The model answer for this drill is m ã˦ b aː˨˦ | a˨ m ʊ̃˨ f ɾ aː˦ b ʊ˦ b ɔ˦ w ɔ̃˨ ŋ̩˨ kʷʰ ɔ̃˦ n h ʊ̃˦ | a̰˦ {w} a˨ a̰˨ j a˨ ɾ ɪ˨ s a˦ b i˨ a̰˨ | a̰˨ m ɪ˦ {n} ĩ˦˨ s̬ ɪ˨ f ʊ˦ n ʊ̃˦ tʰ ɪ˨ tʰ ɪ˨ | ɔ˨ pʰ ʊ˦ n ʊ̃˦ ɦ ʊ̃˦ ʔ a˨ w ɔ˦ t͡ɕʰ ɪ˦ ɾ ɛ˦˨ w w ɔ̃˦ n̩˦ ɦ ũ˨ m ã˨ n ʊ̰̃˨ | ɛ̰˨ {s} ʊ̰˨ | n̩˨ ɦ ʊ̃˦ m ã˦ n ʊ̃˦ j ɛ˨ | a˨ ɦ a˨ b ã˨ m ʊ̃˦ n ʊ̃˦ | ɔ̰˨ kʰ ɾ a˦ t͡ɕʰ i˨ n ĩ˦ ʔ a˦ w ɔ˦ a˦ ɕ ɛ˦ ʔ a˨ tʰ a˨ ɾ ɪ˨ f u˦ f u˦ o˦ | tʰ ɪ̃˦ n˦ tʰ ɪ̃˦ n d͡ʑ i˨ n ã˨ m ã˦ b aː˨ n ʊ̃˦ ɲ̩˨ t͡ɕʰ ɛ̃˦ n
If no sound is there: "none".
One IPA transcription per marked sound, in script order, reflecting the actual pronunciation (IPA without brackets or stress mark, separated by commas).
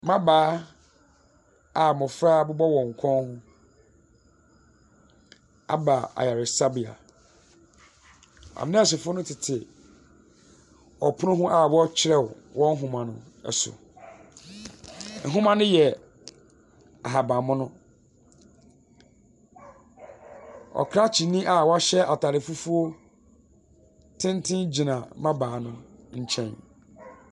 b, n, s